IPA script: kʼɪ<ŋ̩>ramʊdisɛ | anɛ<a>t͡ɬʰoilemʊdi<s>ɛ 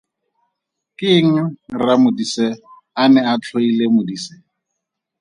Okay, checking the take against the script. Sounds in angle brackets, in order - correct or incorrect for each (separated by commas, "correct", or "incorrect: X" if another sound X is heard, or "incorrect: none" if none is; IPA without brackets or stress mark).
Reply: correct, correct, correct